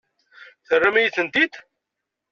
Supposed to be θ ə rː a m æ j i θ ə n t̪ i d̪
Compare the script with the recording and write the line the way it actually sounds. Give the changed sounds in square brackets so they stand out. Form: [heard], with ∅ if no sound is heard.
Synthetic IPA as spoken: θ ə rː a m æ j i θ ə n t̪ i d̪